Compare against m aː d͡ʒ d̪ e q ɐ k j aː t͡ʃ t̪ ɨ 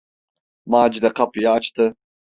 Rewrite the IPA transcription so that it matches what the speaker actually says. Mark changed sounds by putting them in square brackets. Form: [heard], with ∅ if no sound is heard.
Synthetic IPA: m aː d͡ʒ d̪ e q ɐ [p] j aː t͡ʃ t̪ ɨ